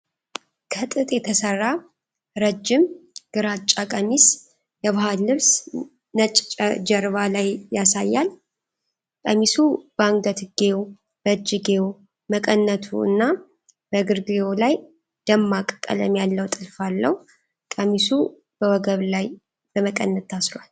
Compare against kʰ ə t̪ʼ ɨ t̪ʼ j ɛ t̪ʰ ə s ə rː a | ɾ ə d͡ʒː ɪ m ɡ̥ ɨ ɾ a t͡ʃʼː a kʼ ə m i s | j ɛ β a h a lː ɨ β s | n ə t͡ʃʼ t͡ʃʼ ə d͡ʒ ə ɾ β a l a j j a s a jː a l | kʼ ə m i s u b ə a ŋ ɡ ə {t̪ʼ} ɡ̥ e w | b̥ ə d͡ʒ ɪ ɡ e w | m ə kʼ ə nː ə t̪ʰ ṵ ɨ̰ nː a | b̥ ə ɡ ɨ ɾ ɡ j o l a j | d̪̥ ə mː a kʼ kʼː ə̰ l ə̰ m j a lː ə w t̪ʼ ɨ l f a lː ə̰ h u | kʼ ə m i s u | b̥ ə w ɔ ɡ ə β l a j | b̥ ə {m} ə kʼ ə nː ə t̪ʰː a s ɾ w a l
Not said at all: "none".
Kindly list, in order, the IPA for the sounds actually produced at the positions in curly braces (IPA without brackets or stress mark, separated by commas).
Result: t̪, m